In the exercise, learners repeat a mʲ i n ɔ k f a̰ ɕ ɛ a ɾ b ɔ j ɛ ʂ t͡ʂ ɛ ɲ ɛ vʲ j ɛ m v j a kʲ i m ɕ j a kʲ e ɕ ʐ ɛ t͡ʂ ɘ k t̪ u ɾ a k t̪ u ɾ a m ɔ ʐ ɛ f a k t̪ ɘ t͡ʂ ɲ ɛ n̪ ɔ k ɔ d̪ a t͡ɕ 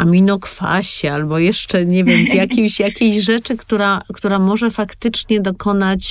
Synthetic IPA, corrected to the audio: a mʲ i n ɔ k f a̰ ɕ ɛ a l b ɔ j ɛ ʂ t͡ʂ ɛ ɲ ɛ vʲ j ɛ m v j a kʲ i m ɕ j a kʲ e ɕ ʐ ɛ t͡ʂ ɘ k t̪ u ɾ a k t̪ u ɾ a m ɔ ʐ ɛ f a k t̪ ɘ t͡ʂ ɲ ɛ d̪ ɔ k ɔ n̪ a t͡ɕ